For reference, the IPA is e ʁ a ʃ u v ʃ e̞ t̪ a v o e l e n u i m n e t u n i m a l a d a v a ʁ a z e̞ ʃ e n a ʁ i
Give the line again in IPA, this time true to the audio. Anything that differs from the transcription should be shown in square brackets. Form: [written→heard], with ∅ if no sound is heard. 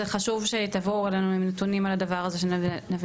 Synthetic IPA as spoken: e [ʁ→χ] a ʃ u v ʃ e̞ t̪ a v o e l e n u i m n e t u n i m a l a d a v a ʁ a z e̞ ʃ e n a [ʁ→v] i